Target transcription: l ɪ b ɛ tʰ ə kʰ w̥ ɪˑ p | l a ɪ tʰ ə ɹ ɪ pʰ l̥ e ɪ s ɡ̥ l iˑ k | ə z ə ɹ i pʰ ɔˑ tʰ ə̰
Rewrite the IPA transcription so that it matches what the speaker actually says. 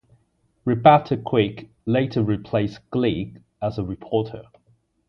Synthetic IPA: ɹ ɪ b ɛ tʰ ə kʰ w̥ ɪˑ k | l e ɪ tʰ ə ɹ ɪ pʰ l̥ e ɪ s ɡ̥ l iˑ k | ə z ə ɹ ɪ pʰ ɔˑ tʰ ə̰